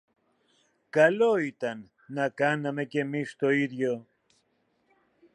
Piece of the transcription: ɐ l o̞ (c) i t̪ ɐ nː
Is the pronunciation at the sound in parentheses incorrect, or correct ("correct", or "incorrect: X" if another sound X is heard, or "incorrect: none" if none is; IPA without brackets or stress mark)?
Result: incorrect: none